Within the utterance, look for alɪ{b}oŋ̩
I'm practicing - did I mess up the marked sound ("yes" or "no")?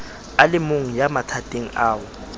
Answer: yes